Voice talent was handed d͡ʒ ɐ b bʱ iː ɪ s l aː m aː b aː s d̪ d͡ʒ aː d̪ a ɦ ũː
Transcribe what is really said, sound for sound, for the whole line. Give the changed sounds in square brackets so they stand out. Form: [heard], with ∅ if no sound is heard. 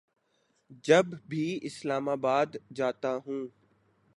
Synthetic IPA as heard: d͡ʒ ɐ b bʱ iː ɪ s l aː m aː b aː [∅] d̪ d͡ʒ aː [t̪] a ɦ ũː

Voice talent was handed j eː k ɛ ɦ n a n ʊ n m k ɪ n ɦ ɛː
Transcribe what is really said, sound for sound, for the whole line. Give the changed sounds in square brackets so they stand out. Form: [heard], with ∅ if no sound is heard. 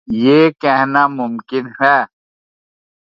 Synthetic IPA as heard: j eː k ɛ ɦ n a [m] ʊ [∅] m k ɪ n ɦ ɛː

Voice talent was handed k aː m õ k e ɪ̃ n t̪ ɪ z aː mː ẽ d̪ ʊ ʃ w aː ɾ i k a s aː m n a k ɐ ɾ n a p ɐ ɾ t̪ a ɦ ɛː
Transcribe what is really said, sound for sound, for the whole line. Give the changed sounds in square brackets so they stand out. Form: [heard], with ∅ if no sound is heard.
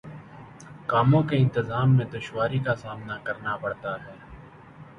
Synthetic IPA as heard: k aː m õ k e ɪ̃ n t̪ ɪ z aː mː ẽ d̪ ʊ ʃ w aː ɾ i k a s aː m n a k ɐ ɾ n a p ɐ [ɽ] t̪ a ɦ ɛː

